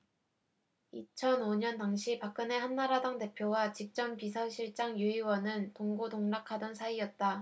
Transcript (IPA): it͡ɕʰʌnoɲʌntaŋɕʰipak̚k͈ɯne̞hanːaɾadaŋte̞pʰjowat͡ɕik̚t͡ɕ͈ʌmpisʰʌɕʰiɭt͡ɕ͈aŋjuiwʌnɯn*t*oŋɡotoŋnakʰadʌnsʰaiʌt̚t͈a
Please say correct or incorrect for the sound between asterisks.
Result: correct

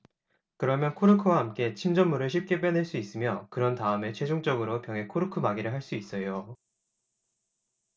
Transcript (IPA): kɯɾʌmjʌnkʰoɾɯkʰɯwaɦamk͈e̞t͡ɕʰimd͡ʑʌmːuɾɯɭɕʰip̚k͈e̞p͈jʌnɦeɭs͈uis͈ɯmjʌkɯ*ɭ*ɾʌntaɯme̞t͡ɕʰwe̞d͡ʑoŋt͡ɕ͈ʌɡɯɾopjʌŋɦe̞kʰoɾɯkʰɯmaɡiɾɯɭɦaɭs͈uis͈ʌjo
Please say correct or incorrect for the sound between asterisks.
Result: incorrect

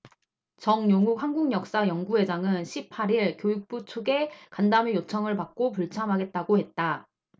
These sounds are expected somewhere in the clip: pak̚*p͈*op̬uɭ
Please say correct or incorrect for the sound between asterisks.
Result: incorrect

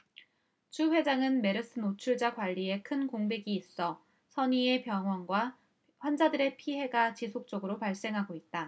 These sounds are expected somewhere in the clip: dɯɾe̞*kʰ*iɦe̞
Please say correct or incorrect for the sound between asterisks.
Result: incorrect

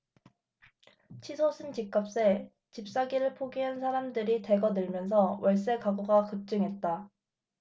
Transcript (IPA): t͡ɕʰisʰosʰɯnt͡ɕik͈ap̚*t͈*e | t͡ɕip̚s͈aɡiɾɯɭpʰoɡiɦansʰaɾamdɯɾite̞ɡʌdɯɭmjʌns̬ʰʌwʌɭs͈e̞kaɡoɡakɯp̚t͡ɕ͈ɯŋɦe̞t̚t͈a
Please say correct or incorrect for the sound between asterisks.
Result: incorrect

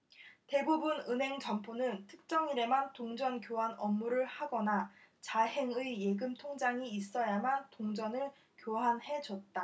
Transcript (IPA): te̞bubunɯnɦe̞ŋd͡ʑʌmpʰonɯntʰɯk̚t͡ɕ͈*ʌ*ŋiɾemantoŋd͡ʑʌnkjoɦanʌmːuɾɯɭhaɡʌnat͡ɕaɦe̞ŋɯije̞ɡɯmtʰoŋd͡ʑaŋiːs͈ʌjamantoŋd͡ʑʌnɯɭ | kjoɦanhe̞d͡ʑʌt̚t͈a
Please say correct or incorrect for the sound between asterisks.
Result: correct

